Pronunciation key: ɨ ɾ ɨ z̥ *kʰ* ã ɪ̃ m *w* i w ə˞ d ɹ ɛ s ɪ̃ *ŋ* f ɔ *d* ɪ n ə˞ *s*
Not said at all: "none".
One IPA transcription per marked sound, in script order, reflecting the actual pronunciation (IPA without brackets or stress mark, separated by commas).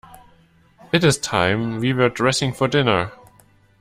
tʰ, w, ŋ, d, none